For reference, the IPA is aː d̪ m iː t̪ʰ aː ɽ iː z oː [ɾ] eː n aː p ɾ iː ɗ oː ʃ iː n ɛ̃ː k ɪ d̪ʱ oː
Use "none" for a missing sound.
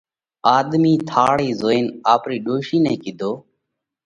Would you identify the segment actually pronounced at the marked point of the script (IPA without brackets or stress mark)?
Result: none